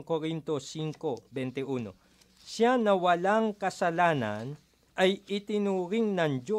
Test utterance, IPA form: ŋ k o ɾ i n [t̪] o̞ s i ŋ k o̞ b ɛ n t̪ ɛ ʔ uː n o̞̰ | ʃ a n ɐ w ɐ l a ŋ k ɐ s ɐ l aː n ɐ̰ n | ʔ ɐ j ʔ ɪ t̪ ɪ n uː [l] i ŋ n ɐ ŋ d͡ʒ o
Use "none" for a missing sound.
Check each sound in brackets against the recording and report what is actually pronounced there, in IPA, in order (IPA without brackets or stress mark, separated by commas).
t̪, ɾ